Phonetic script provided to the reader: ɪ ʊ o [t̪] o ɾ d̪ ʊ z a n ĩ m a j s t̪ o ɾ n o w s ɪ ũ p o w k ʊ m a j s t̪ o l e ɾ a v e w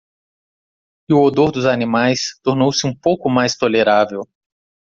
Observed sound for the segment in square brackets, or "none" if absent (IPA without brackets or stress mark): d̪